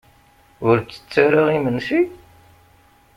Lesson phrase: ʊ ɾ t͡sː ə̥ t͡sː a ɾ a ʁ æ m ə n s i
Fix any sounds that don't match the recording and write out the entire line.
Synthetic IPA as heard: ʊ ɾ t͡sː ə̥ t͡sː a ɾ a ʁ i m ə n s i